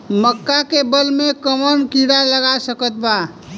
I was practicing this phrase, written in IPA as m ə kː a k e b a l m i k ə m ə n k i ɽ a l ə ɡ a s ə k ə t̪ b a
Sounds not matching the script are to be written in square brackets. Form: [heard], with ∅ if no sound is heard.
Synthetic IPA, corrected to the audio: m ə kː a k e b [ə] l m [e] k ə m ə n k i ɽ a l ə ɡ a s ə k ə t̪ b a